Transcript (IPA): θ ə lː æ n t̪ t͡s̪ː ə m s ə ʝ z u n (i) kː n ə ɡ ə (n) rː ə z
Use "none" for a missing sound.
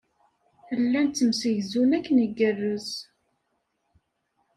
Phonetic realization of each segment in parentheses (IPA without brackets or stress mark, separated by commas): æ, none